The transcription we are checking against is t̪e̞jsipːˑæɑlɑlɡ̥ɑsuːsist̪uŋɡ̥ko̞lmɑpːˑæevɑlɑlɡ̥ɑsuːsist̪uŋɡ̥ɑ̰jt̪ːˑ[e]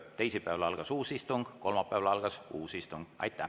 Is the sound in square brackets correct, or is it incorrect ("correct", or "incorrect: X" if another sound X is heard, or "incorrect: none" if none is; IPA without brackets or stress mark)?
incorrect: æ